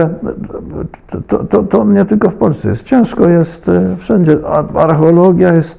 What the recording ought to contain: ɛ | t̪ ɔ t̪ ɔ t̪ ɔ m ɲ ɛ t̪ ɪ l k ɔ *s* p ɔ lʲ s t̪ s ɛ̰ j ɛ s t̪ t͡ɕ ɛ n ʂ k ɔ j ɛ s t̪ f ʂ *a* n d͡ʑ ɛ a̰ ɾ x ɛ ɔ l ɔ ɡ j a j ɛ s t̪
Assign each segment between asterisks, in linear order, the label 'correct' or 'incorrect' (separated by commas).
incorrect, incorrect